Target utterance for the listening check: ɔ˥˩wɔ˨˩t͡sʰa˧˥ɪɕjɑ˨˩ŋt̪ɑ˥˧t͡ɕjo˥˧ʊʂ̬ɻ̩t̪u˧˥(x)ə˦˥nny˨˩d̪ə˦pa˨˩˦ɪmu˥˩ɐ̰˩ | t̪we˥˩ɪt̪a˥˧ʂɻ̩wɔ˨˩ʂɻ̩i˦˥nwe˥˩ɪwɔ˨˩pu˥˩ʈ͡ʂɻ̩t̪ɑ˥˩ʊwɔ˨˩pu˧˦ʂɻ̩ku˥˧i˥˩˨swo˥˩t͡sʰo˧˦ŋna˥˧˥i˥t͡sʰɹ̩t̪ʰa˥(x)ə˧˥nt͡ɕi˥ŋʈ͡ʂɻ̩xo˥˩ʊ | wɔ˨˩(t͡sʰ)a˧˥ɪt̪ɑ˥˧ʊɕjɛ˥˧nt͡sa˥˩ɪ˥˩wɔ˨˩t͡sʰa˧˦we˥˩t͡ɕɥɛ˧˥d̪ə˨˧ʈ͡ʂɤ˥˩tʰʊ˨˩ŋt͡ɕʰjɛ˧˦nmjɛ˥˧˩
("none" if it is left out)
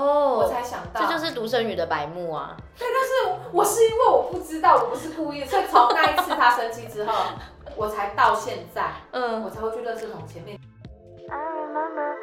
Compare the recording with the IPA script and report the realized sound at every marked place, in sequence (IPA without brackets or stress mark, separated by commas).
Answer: ʂ, ʂ, t͡sʰ